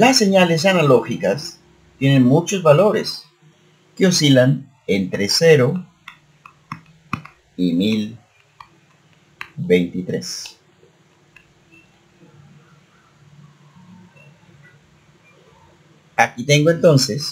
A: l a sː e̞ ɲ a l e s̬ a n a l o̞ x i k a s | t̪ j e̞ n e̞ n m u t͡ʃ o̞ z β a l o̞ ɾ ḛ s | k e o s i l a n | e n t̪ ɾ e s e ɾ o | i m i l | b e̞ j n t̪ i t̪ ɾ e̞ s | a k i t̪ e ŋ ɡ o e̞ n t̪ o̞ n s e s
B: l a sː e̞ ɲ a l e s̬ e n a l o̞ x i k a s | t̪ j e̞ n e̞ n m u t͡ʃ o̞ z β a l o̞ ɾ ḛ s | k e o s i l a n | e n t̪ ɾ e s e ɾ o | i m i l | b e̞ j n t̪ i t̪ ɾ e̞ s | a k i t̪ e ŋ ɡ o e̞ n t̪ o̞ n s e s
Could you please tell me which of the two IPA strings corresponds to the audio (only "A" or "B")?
A